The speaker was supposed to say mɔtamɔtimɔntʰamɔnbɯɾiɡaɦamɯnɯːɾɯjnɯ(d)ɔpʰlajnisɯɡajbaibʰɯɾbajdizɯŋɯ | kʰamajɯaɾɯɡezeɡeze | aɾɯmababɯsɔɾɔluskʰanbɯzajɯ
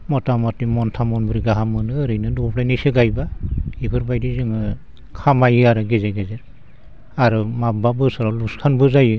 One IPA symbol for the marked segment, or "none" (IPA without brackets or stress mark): d